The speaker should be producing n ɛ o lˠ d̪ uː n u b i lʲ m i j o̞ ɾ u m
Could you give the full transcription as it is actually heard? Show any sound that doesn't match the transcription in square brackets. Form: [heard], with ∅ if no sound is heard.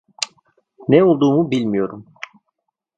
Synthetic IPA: n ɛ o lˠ d̪ uː [m] u b i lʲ m i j o̞ ɾ u m